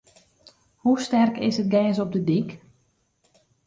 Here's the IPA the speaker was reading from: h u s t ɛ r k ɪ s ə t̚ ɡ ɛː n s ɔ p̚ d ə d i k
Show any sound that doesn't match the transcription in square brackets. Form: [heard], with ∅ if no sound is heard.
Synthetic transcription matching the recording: h u s t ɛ r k ɪ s ə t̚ ɡ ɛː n s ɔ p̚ d ə d i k